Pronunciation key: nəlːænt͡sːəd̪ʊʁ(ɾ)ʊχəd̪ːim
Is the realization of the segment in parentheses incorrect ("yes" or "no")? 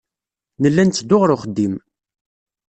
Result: no